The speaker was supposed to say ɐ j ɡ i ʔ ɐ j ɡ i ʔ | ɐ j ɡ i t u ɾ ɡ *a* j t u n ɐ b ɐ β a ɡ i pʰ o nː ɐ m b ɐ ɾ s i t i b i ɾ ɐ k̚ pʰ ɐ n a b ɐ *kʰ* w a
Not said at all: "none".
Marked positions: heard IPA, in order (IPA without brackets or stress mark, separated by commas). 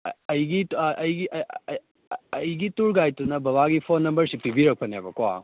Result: a, k